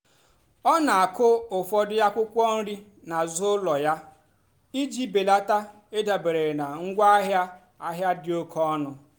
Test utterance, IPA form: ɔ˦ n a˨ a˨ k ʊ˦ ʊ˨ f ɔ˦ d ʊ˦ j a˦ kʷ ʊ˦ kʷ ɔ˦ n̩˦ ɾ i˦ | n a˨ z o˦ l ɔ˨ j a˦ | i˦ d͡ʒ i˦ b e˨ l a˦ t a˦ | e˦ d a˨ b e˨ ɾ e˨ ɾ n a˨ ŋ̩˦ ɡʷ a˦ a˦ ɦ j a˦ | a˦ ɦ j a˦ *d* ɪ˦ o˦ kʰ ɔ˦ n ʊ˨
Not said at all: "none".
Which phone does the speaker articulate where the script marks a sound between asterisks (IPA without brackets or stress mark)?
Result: d